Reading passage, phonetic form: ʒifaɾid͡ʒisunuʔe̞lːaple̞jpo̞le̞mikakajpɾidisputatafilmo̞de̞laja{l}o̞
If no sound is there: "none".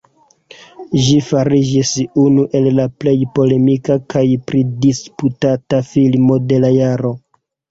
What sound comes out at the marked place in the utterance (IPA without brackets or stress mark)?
ɾ